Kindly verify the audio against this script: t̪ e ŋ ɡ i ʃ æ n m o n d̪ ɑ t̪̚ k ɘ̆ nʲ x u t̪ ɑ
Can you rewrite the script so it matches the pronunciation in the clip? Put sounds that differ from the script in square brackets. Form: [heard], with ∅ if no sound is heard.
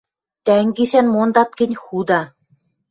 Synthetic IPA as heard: t̪ [æ] ŋ ɡ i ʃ æ n m o n d̪ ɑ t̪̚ k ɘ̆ nʲ x u [d̪] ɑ